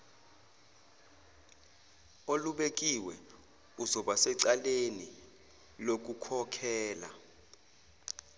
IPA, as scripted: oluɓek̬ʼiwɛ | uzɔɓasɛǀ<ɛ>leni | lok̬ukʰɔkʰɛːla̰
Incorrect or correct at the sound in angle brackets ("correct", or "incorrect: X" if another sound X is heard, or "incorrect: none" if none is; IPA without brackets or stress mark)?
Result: incorrect: a